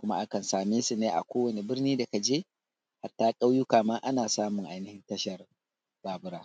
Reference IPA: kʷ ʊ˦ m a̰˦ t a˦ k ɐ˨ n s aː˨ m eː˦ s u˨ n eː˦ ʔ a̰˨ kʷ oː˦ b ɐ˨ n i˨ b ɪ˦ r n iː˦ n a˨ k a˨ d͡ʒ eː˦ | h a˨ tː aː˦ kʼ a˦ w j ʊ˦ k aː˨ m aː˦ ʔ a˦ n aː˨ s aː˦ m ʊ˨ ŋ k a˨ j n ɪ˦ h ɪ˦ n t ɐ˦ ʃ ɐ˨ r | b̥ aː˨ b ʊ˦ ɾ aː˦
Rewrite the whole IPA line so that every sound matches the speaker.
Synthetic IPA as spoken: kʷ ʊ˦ m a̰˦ ʔ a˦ k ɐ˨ n s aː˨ m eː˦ s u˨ n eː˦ ʔ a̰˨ kʷ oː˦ w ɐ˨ n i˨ b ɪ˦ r n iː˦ d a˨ k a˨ d͡ʒ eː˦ | h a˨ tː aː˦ kʼ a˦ w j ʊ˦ k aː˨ m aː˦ ʔ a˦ n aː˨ s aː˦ m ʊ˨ ŋ ʔ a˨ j n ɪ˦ h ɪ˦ n t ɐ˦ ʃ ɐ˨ r | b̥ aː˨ b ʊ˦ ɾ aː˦